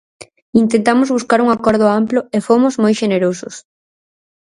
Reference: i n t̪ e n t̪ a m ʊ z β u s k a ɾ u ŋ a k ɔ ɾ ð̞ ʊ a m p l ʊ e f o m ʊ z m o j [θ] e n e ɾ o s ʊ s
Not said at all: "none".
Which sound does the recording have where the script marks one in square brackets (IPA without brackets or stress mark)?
ʃ